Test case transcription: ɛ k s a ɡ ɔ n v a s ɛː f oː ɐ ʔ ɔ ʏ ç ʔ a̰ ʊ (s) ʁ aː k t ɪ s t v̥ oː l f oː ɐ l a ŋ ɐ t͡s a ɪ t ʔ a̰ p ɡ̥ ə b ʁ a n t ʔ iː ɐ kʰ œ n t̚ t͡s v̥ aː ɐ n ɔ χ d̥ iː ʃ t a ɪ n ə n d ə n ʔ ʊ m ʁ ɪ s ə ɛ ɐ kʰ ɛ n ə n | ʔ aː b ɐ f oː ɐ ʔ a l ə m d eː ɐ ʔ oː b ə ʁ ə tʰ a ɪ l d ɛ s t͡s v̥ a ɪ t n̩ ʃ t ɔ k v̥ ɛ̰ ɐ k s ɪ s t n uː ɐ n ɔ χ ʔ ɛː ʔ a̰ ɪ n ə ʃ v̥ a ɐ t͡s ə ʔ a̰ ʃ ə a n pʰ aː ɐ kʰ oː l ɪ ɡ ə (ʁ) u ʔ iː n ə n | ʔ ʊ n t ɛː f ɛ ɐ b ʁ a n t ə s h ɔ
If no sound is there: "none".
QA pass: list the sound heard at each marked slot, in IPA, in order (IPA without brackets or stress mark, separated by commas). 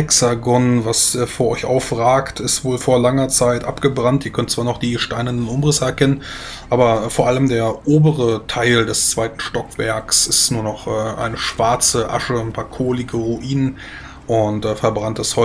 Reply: f, ʁ